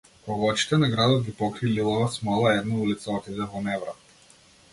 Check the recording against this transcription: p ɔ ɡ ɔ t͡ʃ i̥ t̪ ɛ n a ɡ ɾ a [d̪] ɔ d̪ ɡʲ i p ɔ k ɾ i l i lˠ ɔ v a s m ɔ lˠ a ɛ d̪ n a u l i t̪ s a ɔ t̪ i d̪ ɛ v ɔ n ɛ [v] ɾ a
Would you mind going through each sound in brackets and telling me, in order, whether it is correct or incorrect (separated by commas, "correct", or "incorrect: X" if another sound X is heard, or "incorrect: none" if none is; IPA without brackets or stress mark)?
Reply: correct, correct